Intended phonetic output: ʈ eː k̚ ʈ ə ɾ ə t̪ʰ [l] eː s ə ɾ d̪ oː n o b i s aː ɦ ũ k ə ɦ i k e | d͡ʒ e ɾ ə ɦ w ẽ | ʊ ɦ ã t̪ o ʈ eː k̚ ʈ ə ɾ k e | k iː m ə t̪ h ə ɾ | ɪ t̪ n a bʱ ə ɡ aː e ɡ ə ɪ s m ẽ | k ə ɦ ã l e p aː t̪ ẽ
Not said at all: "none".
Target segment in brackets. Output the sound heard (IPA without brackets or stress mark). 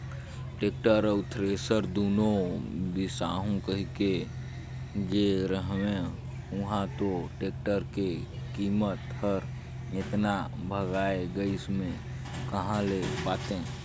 ɾ